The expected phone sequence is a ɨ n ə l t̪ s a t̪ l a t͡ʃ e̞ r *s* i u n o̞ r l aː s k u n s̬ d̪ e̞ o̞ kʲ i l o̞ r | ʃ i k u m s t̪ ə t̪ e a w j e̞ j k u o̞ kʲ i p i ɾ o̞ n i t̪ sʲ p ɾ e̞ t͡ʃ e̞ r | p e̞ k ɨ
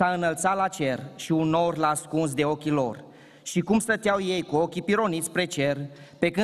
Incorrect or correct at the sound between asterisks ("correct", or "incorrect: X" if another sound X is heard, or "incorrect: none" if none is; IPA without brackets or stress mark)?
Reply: incorrect: ʃ